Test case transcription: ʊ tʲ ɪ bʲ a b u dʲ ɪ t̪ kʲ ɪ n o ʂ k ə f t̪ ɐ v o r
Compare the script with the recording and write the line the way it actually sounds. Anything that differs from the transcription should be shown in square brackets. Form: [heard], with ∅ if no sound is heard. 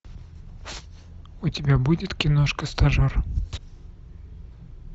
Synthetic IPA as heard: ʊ tʲ ɪ bʲ a b u dʲ ɪ t̪ kʲ ɪ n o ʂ k ə [s] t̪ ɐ [ʐ] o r

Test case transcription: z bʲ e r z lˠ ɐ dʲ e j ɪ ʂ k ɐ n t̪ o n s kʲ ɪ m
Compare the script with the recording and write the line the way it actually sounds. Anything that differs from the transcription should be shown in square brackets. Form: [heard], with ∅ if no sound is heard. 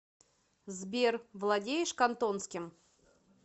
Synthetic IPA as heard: z bʲ e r [v] lˠ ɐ dʲ e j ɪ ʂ k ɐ n t̪ o n s kʲ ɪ m

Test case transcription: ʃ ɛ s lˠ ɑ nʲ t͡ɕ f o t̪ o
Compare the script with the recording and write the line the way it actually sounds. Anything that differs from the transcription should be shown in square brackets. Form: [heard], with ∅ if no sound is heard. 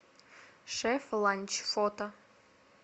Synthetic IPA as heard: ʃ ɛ [f] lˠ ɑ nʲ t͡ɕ f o t̪ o

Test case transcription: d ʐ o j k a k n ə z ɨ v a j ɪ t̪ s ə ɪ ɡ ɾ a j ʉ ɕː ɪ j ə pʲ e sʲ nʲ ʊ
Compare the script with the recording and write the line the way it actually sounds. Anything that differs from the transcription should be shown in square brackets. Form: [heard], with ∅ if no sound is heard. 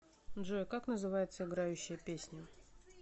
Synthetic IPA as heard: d ʐ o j k a k n ə z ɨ v a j ɪ t̪ s ə ɪ ɡ ɾ a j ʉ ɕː ɪ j ə pʲ e sʲ nʲ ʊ

